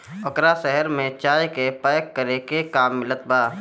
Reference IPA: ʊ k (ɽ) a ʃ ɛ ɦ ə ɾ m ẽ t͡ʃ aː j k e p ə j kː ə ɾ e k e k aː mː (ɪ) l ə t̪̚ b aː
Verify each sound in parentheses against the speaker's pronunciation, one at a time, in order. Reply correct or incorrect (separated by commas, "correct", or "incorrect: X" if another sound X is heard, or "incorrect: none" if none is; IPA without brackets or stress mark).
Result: incorrect: ɾ, correct